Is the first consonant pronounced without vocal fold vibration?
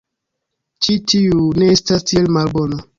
yes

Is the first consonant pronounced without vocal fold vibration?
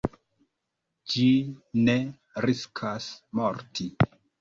no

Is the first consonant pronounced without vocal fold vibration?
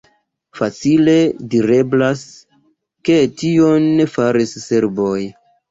yes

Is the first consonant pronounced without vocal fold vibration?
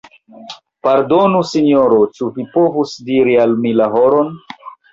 yes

